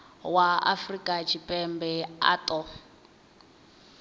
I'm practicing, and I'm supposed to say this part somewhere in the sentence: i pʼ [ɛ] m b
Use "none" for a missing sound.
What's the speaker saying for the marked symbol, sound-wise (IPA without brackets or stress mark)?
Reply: ɛ